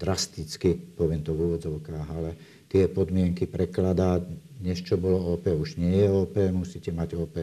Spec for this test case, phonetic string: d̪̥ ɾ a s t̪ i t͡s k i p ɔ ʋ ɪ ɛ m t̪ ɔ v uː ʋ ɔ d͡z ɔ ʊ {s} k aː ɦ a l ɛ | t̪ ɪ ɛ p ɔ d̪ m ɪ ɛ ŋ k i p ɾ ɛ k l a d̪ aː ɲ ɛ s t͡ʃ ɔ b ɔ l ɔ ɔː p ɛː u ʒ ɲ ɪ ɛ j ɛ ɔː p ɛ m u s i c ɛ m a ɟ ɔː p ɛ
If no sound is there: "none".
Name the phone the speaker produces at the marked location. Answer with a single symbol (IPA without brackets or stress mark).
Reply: none